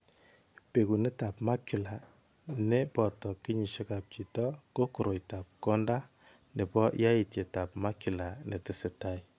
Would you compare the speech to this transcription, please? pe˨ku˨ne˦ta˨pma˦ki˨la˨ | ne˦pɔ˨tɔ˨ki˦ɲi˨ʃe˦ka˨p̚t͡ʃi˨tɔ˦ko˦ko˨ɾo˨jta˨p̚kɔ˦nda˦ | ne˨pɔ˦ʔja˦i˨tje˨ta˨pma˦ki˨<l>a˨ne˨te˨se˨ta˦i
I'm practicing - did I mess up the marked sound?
no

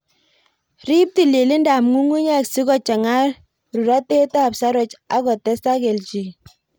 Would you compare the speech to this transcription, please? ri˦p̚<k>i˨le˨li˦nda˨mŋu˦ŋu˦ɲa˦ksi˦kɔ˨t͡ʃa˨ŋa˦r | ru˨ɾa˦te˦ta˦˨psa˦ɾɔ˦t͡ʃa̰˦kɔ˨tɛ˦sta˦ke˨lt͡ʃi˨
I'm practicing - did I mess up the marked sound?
yes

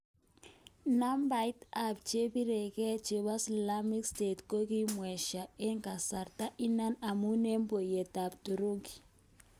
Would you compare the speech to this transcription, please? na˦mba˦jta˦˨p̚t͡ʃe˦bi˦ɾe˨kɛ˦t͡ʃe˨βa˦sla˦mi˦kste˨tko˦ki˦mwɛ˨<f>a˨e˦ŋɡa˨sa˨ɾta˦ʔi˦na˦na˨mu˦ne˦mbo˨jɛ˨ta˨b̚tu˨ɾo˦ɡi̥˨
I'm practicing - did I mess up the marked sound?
yes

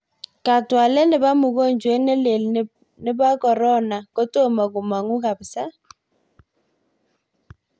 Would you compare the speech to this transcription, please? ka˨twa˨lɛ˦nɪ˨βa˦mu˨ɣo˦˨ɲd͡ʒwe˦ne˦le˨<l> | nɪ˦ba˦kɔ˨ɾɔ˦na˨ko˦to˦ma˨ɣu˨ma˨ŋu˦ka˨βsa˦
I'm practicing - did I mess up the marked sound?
no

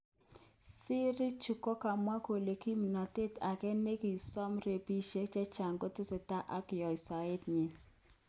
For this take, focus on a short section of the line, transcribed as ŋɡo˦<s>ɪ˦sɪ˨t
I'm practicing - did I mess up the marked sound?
yes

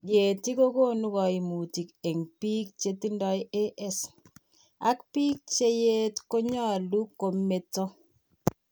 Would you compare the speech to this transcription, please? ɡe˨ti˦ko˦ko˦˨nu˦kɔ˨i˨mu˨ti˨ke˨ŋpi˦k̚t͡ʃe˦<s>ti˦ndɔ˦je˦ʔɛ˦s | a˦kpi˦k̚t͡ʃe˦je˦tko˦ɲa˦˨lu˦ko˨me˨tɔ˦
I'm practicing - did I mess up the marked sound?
yes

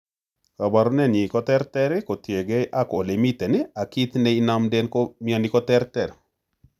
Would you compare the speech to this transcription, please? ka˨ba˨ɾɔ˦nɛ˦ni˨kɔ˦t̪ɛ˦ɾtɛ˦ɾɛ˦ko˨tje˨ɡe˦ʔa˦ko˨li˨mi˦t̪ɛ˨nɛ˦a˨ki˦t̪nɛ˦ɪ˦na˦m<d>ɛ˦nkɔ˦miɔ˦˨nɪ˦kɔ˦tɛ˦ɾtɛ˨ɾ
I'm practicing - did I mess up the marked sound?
no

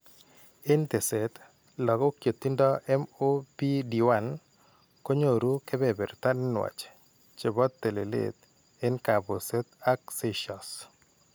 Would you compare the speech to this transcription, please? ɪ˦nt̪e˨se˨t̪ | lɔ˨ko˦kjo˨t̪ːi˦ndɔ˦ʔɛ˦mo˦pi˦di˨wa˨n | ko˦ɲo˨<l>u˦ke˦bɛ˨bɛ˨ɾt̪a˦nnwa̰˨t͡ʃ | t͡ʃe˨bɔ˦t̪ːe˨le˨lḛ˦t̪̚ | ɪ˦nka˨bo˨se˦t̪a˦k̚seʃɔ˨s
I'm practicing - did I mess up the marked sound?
yes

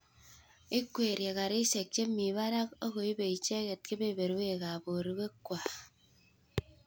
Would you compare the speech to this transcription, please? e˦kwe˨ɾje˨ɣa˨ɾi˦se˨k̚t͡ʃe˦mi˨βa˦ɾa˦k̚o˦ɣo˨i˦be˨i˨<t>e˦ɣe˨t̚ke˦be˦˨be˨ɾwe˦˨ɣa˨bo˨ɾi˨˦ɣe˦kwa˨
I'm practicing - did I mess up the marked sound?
yes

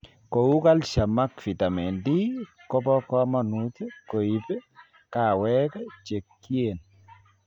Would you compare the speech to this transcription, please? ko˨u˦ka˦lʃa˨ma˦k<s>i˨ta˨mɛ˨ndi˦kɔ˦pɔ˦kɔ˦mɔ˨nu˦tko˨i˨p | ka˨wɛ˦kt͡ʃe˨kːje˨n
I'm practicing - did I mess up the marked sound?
yes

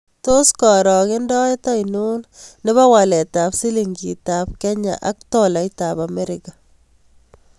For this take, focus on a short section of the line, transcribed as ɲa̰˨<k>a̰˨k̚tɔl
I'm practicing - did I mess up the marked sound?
yes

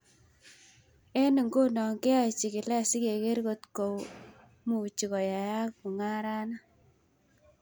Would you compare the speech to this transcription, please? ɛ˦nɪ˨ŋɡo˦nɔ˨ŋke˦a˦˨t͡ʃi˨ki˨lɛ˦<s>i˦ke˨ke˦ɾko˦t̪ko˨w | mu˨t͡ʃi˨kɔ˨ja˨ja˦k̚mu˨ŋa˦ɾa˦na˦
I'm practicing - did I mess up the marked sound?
no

